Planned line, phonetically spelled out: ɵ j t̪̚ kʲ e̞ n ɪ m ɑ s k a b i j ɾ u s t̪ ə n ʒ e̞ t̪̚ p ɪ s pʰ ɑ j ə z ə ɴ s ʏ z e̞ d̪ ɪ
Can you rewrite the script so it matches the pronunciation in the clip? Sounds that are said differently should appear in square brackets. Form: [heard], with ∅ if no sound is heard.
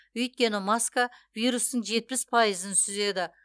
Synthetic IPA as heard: ɵ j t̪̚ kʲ e̞ n ɪ m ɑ s k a [v] i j ɾ u s t̪ ə [ɴ] ʒ e̞ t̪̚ p ɪ s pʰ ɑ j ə z ə [n] s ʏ z e̞ d̪ ɪ